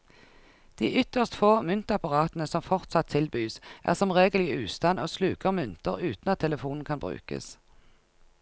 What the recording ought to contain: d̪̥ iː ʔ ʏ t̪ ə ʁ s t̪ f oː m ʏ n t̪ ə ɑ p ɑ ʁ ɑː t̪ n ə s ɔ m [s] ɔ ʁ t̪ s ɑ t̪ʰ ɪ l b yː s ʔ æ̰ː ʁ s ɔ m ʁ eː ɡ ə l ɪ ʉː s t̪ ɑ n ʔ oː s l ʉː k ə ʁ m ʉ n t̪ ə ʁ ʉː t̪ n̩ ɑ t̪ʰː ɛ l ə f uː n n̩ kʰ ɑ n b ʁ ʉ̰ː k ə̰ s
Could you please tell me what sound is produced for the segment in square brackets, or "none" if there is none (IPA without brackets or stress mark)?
f